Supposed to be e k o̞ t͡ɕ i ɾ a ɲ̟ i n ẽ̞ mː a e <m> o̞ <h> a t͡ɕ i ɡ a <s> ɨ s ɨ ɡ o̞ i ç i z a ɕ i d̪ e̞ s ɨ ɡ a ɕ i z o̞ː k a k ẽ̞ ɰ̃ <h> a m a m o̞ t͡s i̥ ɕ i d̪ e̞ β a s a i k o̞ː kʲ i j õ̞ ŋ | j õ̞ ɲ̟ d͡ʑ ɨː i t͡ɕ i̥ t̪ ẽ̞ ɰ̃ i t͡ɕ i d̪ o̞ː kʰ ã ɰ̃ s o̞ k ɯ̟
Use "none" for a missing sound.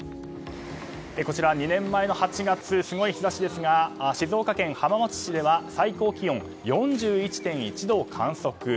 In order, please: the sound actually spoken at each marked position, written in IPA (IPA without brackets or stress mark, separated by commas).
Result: n, h, t͡s, h